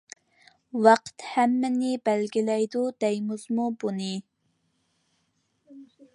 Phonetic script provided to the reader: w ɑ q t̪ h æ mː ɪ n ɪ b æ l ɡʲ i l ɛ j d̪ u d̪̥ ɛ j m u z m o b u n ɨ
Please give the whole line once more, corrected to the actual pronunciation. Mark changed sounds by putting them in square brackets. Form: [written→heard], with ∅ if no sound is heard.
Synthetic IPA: w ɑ q t̪ h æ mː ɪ n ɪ b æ l ɡʲ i l ɛ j d̪ u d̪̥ ɛ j m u z m [o→u] b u n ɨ